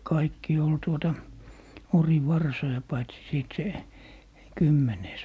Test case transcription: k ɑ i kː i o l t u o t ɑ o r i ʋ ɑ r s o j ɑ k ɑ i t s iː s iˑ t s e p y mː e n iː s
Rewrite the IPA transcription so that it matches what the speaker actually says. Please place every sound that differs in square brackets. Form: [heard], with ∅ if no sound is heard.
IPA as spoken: k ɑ i kː i o l t u o t ɑ o r i ʋ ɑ r s o j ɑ [p] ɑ i t s [i] s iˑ t s e [k] y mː e n [eː] s